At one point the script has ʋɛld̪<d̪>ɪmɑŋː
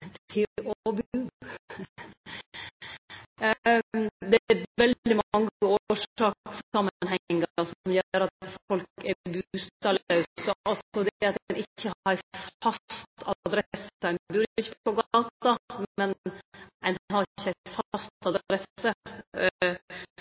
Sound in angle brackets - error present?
no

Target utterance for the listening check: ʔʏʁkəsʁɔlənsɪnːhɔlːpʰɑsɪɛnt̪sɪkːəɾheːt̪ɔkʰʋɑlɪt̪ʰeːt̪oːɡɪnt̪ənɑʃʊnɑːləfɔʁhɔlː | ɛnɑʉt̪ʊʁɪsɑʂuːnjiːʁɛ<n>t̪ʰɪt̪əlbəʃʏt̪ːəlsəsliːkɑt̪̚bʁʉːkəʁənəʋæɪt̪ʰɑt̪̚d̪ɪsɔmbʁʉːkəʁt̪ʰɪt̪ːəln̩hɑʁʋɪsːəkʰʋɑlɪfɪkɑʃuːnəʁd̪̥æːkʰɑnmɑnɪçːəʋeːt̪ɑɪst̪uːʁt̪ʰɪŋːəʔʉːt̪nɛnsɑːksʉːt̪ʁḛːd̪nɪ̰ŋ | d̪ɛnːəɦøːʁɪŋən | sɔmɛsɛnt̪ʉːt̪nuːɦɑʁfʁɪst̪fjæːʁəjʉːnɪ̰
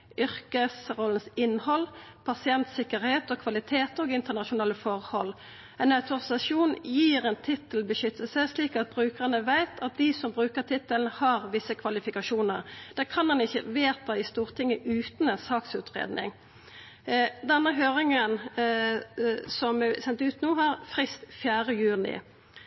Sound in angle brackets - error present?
no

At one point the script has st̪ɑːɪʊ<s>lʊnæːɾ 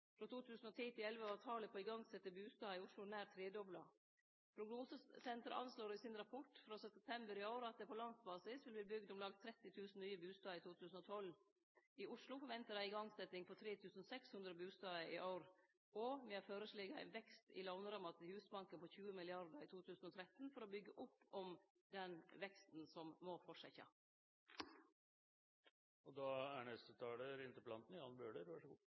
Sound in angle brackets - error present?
yes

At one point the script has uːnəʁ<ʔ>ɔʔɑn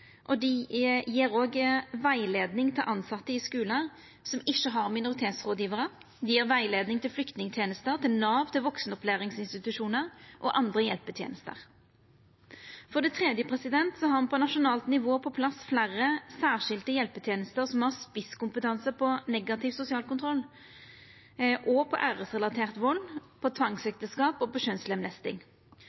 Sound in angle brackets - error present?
no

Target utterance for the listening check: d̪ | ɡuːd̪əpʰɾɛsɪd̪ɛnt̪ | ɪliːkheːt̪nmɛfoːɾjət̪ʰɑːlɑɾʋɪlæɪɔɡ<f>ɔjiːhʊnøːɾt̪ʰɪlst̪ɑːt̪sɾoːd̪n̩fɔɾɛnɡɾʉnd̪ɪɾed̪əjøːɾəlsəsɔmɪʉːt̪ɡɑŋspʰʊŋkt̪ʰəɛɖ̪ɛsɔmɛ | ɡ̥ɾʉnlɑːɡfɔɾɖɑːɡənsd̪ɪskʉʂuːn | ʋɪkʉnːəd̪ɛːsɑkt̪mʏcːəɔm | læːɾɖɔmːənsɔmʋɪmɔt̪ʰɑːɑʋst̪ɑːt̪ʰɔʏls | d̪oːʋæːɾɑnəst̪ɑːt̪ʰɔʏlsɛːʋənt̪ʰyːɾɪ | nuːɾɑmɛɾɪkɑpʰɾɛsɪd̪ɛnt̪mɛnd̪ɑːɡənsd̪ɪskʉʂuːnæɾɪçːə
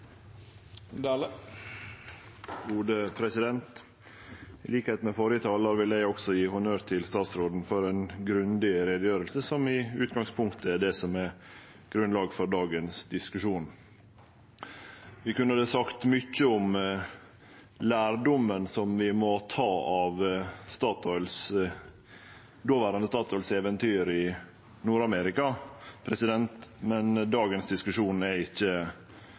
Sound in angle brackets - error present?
yes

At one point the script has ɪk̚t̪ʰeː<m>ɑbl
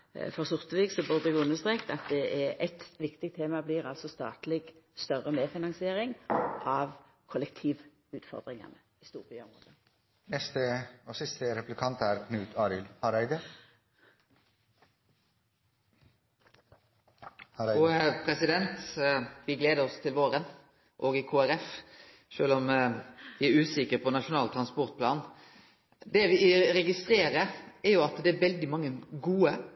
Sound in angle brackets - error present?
no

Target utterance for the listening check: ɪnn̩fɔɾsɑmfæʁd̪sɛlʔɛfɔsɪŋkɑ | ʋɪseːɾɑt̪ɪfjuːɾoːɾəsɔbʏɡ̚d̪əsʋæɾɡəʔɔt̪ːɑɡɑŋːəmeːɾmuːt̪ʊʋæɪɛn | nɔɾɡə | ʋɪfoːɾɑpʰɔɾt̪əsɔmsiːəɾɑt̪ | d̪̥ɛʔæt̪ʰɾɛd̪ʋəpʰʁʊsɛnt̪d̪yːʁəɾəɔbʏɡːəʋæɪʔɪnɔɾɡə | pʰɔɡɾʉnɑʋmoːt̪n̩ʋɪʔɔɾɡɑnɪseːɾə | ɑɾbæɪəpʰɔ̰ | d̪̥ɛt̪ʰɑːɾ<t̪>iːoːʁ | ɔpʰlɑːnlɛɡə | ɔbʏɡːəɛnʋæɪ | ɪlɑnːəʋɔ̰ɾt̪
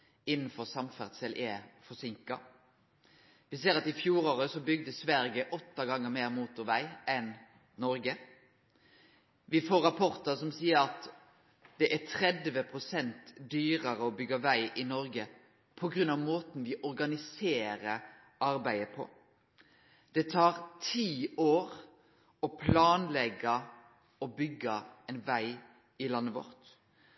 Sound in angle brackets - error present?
yes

